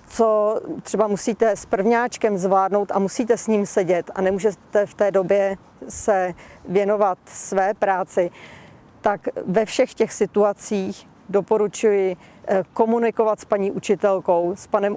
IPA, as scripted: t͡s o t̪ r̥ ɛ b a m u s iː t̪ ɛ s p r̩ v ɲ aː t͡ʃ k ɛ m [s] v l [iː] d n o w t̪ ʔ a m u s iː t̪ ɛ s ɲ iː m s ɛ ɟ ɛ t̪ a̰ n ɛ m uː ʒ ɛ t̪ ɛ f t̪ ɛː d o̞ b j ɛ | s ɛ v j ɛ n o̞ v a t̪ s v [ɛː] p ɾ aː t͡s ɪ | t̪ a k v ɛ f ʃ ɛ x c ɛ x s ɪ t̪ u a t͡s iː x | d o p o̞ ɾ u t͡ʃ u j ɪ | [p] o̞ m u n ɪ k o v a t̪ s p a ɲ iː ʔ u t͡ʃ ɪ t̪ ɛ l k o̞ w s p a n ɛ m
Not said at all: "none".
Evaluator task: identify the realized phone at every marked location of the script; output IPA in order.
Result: z, aː, ɛː, k

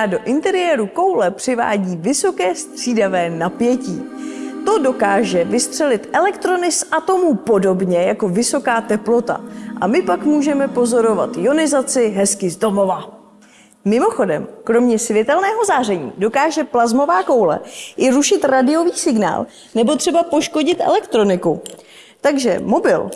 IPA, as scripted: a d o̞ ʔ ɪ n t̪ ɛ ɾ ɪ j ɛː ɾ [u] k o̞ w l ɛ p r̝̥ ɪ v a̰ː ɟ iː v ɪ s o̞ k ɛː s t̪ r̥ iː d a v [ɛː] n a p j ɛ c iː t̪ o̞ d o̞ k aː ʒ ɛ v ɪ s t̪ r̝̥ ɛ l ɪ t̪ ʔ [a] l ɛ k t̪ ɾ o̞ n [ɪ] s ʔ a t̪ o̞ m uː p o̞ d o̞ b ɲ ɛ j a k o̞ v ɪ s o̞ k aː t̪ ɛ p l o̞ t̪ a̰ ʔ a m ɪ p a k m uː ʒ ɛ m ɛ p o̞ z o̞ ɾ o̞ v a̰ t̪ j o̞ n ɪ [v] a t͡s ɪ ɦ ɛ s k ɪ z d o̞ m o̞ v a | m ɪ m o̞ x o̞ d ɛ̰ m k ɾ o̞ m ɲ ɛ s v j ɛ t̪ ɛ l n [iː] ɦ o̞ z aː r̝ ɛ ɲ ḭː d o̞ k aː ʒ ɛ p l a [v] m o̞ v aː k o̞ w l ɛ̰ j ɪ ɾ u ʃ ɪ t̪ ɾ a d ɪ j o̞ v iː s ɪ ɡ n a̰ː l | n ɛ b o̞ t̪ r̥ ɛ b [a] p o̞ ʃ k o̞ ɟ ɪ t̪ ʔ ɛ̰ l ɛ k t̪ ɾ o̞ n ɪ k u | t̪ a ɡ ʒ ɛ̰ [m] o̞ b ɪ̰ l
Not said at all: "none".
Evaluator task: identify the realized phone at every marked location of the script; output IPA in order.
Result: u, ɛː, ɛ, ɪ, z, ɛː, z, a, m

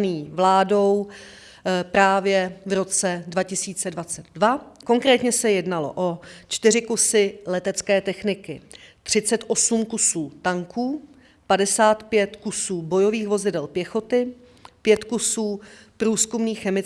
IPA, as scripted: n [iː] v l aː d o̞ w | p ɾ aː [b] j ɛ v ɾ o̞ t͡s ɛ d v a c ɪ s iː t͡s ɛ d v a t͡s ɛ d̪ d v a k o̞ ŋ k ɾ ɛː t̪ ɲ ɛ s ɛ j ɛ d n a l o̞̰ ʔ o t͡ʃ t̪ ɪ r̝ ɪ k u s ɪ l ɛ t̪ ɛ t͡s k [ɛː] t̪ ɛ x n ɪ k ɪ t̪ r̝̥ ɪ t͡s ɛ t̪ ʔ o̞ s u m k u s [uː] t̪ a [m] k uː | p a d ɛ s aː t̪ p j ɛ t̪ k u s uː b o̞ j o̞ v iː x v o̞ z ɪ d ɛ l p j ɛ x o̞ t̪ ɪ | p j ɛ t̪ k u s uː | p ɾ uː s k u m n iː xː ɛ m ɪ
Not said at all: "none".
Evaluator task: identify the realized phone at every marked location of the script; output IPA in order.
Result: iː, v, ɛː, uː, ŋ

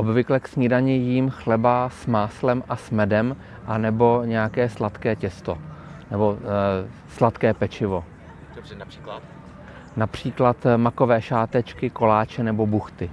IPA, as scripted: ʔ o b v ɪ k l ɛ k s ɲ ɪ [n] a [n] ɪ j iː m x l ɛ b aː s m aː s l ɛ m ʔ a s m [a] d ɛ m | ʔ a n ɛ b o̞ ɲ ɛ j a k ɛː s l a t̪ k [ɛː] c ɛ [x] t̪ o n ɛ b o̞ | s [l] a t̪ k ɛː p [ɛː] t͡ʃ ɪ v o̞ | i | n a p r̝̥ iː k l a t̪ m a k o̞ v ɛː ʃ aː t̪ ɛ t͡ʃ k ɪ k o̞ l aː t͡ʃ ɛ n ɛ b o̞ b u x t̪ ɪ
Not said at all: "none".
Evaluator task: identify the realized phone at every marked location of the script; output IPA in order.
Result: d, ɲ, ɛ, ɛː, s, l, ɛ

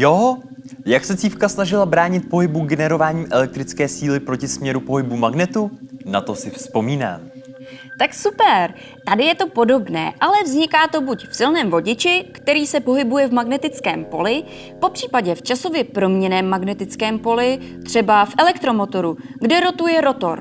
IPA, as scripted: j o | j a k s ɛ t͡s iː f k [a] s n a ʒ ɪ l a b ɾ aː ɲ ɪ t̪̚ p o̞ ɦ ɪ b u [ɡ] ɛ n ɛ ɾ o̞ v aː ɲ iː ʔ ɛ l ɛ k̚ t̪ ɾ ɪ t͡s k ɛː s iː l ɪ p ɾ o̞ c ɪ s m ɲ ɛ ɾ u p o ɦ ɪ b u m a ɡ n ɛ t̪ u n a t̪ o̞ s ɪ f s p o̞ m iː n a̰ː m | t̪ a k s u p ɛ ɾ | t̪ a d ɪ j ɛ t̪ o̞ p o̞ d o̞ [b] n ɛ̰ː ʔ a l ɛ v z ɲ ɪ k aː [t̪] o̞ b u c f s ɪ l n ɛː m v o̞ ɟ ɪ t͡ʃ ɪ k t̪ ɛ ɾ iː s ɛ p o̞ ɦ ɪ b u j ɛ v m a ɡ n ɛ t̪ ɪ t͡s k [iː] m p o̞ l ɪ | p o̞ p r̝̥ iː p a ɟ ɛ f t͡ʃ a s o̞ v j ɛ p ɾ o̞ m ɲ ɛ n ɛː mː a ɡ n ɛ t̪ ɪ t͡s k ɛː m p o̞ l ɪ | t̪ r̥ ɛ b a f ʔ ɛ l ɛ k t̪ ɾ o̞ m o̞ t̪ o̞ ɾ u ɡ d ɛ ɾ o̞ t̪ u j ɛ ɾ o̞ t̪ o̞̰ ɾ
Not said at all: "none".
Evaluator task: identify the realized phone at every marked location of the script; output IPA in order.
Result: a, ɡ, b, t̪, ɛː

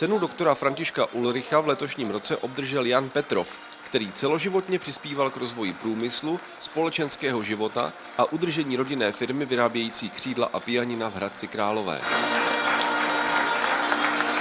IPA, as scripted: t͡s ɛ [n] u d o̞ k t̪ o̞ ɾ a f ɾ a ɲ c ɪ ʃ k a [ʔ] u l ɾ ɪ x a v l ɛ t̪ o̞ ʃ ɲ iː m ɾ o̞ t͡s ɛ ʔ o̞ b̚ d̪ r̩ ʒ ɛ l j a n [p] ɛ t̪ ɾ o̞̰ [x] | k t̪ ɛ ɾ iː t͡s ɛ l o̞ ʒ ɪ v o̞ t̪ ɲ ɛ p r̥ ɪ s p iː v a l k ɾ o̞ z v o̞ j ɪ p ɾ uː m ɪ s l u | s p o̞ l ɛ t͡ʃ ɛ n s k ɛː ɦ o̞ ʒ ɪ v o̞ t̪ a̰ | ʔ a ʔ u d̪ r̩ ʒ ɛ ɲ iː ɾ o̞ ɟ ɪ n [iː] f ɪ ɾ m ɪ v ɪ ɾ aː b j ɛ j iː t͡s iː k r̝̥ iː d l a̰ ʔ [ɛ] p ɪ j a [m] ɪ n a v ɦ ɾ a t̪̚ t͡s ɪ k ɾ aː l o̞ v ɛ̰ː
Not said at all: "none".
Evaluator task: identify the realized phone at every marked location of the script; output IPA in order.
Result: n, ʔ, p, f, ɛː, a, ɲ

